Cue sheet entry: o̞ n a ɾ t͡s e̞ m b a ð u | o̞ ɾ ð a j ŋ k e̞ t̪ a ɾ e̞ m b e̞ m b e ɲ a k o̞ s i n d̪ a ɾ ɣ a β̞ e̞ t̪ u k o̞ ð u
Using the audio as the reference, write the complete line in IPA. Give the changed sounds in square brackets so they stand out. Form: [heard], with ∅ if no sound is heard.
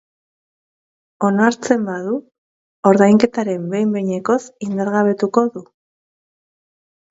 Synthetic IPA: o̞ n a ɾ t͡s e̞ m b a ð u | o̞ ɾ ð a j ŋ k e̞ t̪ a ɾ e̞ m b e̞ m b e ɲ [e] k o̞ s i n d̪ a ɾ ɣ a β̞ e̞ t̪ u k o̞ ð u